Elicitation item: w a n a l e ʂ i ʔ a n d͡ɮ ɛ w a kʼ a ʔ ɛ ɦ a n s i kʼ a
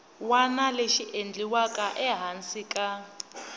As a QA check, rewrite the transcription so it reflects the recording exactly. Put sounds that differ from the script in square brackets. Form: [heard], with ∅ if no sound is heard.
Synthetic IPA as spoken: w a n a l e [ʃ] i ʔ [e] n d͡ɮ [i] w a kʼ a ʔ ɛ ɦ a n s i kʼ a